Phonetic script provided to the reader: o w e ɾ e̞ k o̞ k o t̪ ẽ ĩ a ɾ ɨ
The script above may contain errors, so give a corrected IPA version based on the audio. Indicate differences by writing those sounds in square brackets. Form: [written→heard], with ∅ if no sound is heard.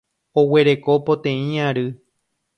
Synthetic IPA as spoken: o w e ɾ e̞ k o̞ [k→p] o t̪ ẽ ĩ a ɾ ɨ